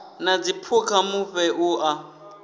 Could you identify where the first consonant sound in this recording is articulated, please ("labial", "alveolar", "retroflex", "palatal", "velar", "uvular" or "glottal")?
alveolar